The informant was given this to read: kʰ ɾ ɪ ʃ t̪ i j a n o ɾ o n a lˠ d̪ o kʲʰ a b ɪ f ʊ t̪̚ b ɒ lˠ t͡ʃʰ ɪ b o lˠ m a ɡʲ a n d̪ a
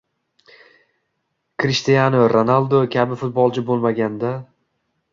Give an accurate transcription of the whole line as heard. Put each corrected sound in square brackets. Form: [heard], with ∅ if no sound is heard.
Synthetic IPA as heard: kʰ ɾ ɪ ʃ t̪ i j a n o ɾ o n a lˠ d̪ o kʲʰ a b ɪ f ʊ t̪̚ b ɒ lˠ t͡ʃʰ ɪ b o lˠ m a ɡʲ a n d̪ a